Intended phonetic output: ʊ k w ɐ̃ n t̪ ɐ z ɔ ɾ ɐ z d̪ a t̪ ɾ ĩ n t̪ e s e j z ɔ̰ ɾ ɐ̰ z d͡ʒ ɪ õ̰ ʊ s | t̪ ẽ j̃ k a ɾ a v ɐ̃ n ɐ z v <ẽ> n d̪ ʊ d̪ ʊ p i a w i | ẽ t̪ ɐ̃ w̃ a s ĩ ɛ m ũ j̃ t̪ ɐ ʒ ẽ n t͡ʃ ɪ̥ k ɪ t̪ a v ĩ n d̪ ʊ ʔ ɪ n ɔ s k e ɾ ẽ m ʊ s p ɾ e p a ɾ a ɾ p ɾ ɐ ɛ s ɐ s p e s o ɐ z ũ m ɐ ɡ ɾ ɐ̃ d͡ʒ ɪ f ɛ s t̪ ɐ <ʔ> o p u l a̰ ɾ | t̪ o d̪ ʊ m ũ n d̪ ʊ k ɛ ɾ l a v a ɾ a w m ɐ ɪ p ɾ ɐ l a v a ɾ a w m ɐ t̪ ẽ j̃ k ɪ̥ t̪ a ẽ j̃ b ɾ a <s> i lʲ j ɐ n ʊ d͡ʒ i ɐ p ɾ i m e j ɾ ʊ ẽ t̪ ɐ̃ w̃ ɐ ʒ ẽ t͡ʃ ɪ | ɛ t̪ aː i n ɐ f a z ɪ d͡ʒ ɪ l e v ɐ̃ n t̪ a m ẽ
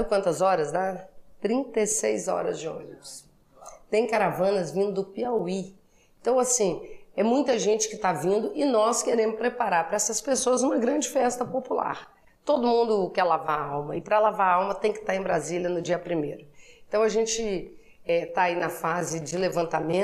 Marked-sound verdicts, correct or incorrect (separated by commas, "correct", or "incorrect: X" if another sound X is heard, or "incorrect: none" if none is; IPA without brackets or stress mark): incorrect: ĩ, incorrect: p, incorrect: z